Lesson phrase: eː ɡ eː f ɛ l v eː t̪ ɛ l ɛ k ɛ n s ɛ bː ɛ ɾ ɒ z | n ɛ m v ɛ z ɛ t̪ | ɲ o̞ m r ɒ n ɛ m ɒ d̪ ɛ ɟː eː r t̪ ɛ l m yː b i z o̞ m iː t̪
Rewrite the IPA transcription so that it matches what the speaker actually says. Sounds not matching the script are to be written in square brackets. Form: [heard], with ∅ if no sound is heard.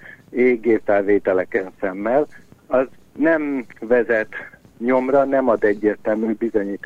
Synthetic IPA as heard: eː ɡ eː f ɛ l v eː t̪ ɛ l ɛ k ɛ n s ɛ [mː] ɛ [l] ɒ z | n ɛ m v ɛ z ɛ t̪ | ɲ o̞ m r ɒ n ɛ m ɒ d̪ ɛ ɟː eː r t̪ ɛ l m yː b i z o̞ [ɲ] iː t̪